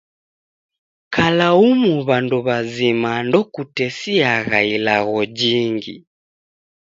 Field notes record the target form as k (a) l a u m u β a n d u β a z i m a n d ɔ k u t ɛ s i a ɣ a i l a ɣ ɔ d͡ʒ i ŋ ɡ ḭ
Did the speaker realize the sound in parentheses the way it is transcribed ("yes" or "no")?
yes